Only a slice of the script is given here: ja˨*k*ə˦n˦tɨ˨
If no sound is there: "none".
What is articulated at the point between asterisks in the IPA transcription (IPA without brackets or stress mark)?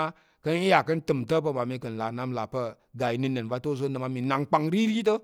k